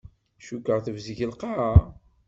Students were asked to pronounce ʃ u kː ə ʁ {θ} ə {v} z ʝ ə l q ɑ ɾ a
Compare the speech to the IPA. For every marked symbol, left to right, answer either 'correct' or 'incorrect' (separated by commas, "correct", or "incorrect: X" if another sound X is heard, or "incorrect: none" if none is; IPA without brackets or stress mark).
correct, correct